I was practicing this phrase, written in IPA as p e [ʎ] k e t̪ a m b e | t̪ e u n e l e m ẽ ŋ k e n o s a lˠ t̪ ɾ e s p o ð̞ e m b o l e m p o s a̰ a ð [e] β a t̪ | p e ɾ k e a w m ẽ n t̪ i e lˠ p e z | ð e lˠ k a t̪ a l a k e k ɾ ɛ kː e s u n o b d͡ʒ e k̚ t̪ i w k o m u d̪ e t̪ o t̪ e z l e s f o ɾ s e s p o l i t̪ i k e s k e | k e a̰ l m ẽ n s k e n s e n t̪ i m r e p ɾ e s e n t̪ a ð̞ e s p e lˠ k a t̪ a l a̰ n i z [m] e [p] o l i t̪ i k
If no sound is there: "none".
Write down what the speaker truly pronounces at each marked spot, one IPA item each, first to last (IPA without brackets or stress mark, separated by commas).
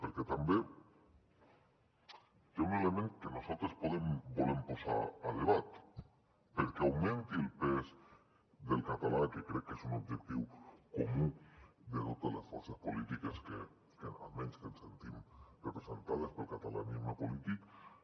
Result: ɾ, e, m, p